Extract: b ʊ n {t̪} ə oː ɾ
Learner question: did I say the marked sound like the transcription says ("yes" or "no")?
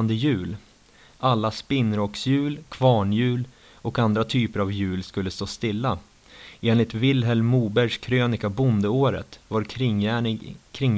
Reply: no